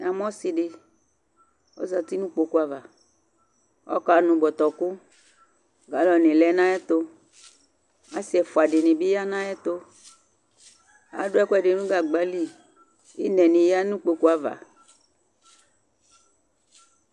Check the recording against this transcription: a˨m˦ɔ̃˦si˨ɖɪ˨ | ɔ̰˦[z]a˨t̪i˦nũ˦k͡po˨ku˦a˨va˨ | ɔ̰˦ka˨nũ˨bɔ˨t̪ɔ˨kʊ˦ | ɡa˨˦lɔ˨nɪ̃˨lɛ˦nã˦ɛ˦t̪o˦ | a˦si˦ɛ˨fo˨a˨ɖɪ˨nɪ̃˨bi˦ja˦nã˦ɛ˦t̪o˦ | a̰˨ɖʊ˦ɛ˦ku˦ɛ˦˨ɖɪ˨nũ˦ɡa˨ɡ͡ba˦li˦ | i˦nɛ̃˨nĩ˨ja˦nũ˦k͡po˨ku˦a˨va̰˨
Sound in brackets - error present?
no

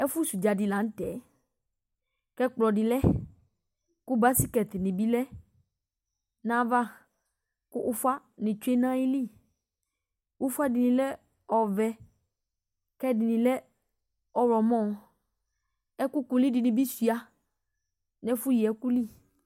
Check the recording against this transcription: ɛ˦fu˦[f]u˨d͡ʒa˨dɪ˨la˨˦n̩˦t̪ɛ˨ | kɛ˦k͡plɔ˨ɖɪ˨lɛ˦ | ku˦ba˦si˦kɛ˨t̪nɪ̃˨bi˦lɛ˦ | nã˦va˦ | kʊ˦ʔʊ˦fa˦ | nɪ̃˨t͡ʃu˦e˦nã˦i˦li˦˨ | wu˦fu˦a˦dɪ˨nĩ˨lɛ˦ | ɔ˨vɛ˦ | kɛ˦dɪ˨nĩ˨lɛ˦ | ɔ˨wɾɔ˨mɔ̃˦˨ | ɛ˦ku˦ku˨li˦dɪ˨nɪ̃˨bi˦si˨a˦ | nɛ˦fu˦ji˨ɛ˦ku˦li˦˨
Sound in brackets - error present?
yes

